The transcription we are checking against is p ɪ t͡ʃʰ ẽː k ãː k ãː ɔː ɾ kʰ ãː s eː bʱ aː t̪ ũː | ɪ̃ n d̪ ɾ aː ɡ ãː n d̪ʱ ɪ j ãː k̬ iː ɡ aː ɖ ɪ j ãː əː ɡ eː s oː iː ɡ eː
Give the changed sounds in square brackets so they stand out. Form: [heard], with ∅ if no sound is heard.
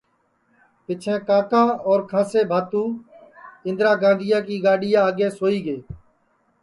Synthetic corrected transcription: p ɪ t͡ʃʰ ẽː k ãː k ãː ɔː ɾ kʰ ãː s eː bʱ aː t̪ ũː | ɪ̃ n d̪ ɾ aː ɡ ãː n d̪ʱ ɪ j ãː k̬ iː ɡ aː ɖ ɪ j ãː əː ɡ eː s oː iː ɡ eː